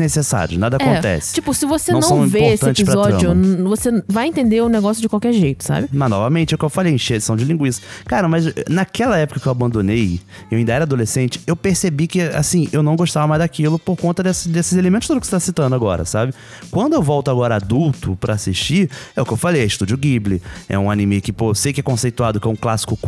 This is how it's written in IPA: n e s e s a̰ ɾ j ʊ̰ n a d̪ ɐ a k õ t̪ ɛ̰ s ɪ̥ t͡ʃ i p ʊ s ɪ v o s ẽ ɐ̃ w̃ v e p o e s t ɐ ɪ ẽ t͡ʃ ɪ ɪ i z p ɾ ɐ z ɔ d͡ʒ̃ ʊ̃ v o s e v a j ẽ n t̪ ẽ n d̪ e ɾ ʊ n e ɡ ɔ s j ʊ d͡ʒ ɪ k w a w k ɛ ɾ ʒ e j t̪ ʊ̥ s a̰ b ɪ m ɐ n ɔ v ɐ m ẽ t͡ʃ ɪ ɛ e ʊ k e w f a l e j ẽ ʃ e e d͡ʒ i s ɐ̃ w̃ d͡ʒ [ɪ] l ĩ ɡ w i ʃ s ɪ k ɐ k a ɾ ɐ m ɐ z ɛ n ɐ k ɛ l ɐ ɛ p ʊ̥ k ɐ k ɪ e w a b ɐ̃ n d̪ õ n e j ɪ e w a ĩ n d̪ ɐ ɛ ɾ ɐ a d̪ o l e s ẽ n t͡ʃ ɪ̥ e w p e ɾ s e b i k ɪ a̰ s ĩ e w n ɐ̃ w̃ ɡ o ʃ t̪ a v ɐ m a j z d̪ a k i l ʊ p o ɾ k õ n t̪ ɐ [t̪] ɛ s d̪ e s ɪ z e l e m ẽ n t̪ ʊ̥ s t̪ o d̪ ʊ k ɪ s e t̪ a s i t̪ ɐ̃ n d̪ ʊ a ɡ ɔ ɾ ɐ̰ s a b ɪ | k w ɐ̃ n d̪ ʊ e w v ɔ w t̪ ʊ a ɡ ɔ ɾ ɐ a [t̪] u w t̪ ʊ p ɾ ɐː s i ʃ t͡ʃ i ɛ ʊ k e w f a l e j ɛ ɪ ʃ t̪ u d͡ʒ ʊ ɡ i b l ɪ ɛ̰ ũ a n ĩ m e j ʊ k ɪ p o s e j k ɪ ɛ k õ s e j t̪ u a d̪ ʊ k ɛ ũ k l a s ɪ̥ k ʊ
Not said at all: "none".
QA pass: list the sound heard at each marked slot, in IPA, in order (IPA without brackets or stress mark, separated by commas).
ɪ, d̪, d̪